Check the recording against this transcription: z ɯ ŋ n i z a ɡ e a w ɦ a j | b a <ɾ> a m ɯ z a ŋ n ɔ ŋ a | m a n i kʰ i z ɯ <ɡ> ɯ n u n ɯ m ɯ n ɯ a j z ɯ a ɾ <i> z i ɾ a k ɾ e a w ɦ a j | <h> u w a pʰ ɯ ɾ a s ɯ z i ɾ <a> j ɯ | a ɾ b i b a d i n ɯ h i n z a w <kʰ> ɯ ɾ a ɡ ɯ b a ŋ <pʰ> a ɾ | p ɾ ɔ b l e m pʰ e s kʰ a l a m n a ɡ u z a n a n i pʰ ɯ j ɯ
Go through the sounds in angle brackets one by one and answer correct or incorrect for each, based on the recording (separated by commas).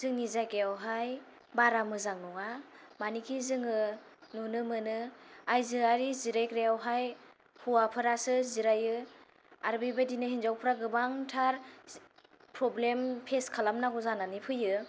correct, incorrect, correct, correct, correct, incorrect, incorrect